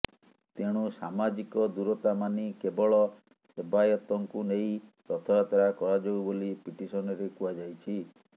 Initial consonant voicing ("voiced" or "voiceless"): voiceless